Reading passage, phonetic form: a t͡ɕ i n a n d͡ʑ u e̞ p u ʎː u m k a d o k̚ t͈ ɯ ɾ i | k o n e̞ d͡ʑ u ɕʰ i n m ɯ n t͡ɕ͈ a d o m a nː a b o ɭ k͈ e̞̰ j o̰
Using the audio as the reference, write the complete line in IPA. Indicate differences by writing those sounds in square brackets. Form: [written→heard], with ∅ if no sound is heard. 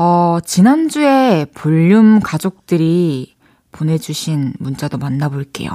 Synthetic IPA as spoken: [a→ʌ] t͡ɕ i n a n d͡ʑ u e̞ p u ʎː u m k a [d→d͡ʑ] o k̚ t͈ ɯ ɾ i | [k→p] o n e̞ d͡ʑ u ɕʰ i n m [ɯ→u] n t͡ɕ͈ a d o m a nː a b o ɭ k͈ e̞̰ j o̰